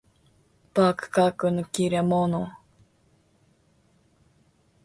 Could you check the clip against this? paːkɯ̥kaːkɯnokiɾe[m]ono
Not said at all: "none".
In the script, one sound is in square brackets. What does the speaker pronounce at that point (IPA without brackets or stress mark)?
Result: m